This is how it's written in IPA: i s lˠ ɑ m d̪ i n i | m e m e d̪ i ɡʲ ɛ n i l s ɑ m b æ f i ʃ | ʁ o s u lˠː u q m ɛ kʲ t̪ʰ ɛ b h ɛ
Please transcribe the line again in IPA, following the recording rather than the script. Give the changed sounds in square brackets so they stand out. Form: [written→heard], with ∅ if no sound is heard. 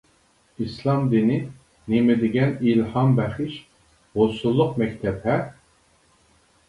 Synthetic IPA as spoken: i s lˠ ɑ m d̪ i n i | [m→n] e m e d̪ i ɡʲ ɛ n i l [s→h] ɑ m b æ [f→χ] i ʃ | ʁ o s u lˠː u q m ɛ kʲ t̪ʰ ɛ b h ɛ